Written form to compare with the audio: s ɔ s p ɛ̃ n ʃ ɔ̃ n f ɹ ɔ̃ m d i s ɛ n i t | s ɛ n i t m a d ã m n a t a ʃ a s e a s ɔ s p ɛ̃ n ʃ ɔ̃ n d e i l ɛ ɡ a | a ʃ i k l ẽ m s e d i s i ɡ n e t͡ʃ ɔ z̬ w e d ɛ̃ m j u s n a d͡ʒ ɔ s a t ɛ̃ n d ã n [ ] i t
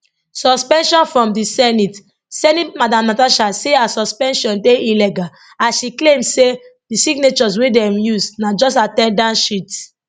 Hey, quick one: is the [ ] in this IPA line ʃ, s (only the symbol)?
ʃ